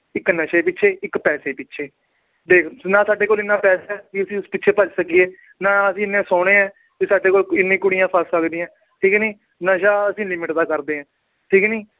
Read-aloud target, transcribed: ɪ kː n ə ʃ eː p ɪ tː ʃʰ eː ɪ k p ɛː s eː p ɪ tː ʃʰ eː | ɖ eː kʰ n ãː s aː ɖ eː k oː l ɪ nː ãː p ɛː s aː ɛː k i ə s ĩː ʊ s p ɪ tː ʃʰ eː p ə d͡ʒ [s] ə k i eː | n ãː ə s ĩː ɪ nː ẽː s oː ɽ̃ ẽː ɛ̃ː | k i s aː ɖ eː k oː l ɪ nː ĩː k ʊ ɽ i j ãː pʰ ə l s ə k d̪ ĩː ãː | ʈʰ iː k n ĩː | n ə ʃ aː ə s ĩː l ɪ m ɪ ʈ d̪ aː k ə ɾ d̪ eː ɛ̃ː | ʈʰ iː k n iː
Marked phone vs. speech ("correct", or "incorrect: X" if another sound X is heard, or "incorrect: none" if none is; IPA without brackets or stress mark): correct